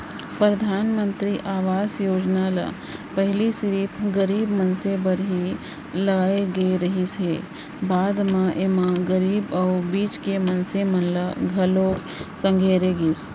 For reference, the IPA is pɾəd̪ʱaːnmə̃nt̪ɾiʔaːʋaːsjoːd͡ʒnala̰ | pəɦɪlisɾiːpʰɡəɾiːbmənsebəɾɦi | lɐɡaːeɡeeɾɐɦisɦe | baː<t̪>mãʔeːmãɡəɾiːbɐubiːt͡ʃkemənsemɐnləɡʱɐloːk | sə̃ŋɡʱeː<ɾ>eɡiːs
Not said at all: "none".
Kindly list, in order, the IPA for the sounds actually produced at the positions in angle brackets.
d̪, ɾ

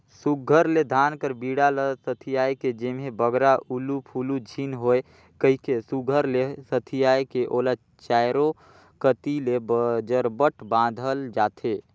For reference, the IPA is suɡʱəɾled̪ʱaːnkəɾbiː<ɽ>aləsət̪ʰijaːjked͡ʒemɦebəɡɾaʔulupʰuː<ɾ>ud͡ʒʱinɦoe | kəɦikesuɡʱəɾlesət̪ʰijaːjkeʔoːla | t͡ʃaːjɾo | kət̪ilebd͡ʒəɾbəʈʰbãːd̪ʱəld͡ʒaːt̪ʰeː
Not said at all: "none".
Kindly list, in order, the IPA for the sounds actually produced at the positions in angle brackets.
ɽ, l

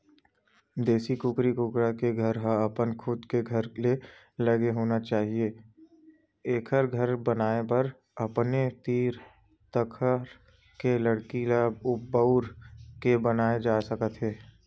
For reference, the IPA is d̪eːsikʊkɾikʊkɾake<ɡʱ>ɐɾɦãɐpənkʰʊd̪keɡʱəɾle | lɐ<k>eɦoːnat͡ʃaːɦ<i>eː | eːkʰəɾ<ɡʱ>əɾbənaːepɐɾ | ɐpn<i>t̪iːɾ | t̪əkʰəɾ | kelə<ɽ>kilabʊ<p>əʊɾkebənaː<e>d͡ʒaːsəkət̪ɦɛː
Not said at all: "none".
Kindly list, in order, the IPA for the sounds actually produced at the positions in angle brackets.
ɡʱ, ɡ, i, ɡʱ, e, ɽ, b, e

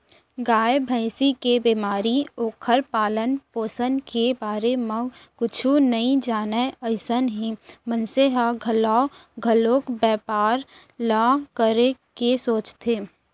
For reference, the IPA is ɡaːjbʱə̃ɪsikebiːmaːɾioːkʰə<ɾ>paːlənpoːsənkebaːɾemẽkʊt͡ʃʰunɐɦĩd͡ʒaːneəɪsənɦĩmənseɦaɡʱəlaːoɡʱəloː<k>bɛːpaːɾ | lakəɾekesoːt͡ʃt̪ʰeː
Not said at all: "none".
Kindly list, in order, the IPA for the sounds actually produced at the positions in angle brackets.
ɾ, k

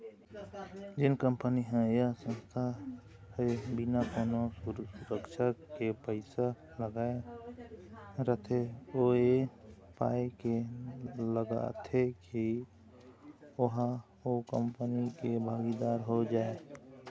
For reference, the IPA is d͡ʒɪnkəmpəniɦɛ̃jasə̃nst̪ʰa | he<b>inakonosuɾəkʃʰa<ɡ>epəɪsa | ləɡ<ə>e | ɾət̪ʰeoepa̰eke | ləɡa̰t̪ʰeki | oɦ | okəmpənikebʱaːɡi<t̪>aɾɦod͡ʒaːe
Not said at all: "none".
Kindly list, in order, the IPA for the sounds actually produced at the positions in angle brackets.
b, k, a, d̪

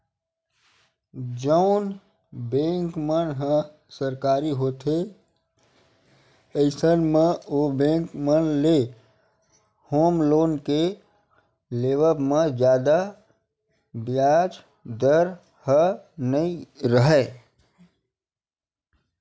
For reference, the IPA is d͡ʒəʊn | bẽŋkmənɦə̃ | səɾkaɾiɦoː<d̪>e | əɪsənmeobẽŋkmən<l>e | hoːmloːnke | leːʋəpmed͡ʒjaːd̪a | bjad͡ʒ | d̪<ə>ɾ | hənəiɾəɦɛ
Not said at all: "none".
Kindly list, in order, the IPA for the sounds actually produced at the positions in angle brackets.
t̪, l, ə

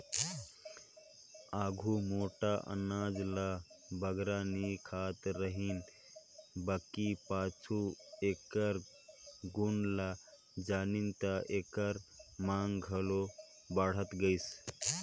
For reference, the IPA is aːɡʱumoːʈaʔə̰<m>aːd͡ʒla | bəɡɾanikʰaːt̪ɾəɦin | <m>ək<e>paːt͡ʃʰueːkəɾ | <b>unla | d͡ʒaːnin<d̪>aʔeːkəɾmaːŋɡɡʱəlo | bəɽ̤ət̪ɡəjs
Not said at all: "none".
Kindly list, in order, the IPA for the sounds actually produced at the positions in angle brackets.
n, b, i, ɡ, t̪

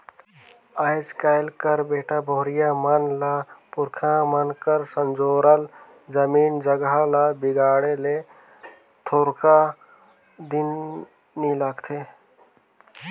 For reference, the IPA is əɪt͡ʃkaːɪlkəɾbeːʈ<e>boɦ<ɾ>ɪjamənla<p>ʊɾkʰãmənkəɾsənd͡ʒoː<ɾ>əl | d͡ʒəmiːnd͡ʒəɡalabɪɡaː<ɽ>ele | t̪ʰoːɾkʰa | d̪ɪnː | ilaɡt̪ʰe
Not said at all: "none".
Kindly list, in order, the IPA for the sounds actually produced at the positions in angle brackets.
a, ɾ, p, ɾ, ɽ

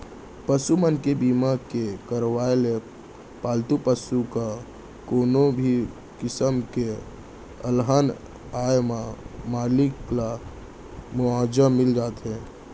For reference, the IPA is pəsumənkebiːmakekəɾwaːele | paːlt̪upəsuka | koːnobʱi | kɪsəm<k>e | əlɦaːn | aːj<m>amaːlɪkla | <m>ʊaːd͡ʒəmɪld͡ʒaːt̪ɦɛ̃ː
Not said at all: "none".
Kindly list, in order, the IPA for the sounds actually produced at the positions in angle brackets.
k, m, m

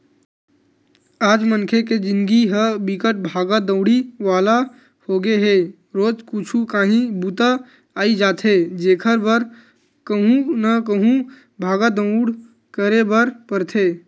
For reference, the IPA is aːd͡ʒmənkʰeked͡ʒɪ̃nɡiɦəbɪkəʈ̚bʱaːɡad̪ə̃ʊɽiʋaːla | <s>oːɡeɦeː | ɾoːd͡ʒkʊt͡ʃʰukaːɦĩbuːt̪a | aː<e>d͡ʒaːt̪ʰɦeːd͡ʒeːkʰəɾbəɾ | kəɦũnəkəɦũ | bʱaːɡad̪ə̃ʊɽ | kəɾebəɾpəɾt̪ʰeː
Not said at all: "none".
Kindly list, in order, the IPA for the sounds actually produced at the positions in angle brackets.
h, i

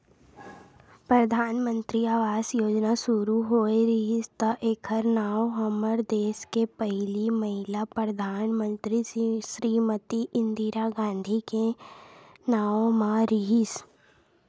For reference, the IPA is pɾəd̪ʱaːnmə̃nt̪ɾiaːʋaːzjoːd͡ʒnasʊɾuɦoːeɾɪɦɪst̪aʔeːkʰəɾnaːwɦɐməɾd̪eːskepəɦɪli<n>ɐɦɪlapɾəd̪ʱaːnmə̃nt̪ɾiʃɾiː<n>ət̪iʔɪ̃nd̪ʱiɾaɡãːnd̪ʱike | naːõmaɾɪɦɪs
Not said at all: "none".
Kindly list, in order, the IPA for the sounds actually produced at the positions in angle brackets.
m, m

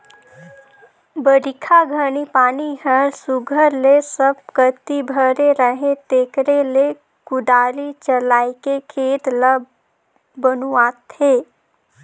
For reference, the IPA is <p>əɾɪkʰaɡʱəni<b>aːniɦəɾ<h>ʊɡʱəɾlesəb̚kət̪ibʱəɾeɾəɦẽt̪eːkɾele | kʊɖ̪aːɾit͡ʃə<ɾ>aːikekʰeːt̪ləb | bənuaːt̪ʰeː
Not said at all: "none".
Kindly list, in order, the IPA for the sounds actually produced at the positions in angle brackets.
b, p, s, l

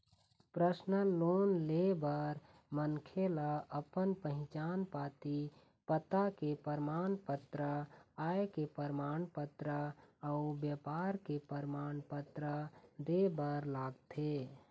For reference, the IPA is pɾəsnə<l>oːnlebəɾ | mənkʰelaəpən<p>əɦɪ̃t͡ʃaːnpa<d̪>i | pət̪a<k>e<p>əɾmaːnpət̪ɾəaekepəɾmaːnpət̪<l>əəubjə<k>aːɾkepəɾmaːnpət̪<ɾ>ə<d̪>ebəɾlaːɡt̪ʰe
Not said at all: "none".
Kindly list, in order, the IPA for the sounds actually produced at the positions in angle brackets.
l, p, t̪, k, p, ɾ, p, ɾ, d̪

